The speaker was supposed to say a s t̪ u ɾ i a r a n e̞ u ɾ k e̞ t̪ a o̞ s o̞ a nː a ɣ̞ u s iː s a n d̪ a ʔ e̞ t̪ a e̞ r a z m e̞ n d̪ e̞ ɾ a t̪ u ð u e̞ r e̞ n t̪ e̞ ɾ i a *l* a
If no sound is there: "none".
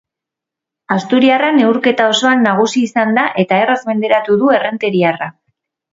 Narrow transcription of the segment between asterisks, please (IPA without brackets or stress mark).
r